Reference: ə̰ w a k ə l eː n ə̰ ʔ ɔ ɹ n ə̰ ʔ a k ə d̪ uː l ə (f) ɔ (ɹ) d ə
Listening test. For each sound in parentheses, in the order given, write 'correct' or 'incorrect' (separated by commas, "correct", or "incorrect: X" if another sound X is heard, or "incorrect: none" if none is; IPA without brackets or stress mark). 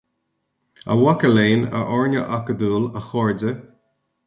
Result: incorrect: x, correct